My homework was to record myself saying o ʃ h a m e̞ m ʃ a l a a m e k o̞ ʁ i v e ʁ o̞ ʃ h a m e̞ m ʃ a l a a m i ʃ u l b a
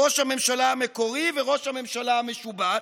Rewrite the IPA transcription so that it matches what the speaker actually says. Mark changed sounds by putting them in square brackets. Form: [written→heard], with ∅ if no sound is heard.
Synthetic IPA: o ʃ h a m e̞ m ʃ a l a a m e k o̞ ʁ i v e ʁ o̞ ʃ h a m e̞ m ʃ a l a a m [i→e] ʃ u [l→∅] b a